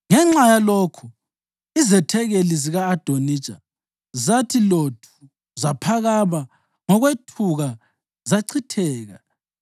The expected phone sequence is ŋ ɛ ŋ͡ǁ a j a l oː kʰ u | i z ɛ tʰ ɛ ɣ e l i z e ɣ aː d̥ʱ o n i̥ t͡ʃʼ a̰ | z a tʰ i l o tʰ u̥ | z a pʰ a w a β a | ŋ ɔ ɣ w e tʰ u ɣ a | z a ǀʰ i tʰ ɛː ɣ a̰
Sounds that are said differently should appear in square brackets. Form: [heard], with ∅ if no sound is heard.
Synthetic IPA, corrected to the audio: ŋ ɛ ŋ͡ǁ a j a l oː kʰ u | i z ɛ tʰ ɛ ɣ e l i z [i] ɣ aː d̥ʱ o n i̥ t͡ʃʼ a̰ | z a tʰ i l o tʰ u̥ | z a pʰ a [ɣ] a β a | ŋ ɔ ɣ w e tʰ u ɣ a | z a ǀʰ i tʰ ɛː ɣ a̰